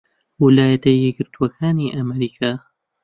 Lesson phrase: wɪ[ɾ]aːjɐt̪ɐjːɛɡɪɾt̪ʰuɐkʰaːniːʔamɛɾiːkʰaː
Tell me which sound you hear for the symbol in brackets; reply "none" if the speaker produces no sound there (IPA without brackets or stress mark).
l